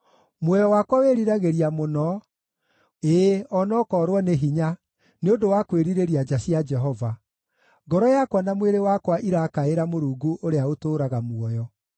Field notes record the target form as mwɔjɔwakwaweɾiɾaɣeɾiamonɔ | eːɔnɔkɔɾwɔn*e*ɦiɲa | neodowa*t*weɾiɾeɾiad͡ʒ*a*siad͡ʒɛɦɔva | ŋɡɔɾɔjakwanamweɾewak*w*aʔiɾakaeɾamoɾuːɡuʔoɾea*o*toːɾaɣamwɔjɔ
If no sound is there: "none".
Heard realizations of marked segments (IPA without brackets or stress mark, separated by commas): e, k, a, w, o